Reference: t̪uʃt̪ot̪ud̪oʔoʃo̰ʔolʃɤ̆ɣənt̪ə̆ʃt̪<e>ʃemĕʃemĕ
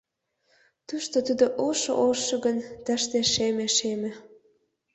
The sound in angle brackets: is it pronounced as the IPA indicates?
yes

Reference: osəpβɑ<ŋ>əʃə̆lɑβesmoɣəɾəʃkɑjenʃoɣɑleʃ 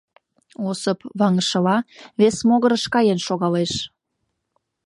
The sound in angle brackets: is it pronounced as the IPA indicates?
yes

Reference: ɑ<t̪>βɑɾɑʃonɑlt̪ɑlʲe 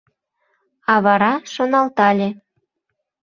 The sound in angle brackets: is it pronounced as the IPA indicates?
no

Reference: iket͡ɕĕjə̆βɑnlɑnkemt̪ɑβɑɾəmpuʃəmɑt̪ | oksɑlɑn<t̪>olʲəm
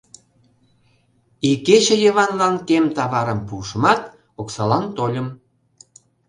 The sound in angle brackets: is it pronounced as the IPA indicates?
yes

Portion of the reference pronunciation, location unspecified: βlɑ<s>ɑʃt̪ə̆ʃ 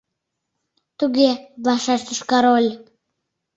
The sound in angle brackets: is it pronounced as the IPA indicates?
no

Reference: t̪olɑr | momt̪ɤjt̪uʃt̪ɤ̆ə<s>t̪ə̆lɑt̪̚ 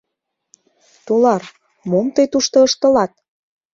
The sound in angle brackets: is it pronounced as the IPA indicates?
no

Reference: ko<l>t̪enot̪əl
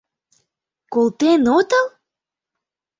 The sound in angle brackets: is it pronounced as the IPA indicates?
yes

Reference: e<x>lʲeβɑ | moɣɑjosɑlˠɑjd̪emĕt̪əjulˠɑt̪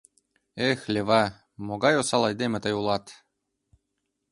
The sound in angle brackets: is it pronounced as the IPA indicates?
yes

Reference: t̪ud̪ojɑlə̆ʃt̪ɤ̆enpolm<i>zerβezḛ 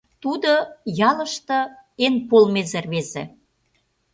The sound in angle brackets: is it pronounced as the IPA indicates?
no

